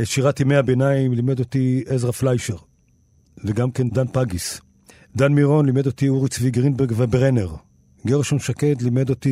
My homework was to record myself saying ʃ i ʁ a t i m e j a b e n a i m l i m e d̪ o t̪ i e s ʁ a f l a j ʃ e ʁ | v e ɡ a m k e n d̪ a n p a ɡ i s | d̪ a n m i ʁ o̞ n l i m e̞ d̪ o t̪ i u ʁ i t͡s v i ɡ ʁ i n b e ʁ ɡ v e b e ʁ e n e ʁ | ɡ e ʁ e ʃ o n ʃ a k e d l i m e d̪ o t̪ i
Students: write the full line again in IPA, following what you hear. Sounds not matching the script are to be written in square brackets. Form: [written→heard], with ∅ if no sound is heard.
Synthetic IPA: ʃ i ʁ a t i m e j a b e n a i m l i m e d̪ o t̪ i e [s→z] ʁ a f l a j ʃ e ʁ | v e ɡ a m k e n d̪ a n p a ɡ i s | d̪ a n m i ʁ o̞ n l i m e̞ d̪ o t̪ i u ʁ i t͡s v i ɡ ʁ i n b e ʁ ɡ v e b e ʁ e n e ʁ | ɡ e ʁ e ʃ o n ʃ a k e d l i m e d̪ o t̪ i